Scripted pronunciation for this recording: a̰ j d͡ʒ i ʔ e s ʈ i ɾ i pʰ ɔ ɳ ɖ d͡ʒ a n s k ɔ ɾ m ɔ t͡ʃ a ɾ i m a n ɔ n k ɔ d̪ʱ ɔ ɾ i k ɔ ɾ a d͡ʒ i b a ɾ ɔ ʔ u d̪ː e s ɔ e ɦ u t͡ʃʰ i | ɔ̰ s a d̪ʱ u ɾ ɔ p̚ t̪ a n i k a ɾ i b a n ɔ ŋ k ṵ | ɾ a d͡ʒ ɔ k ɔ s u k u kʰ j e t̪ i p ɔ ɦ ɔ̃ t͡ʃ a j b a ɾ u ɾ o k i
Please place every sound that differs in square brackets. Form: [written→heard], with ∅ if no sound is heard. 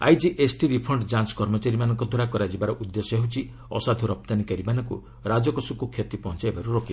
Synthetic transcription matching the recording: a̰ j d͡ʒ i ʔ e s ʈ i ɾ i pʰ ɔ ɳ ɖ d͡ʒ a n s k ɔ ɾ m ɔ t͡ʃ a ɾ i m a n ɔ [n→ŋ] k ɔ d̪ʱ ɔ ɾ [i→a] k ɔ ɾ a d͡ʒ i b a ɾ ɔ ʔ u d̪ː e s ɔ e ɦ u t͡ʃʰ i | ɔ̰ s a d̪ʱ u ɾ ɔ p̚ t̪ a n i k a ɾ i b a n ɔ ŋ k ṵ | ɾ a d͡ʒ ɔ k ɔ s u k u kʰ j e t̪ i p ɔ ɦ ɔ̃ t͡ʃ a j b a ɾ u ɾ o k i